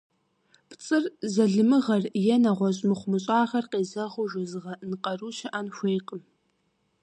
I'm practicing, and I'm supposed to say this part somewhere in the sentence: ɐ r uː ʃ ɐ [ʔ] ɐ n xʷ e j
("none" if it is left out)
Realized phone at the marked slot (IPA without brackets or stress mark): ʔ